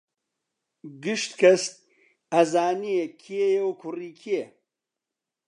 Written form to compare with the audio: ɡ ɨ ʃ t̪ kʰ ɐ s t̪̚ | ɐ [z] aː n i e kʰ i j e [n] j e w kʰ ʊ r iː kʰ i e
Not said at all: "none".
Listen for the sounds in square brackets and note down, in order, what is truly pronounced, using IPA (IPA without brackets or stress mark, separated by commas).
z, none